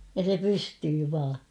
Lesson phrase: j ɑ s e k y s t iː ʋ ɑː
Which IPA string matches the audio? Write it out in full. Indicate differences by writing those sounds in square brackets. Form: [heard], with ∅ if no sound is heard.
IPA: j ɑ s e [p] y s t [yː] ʋ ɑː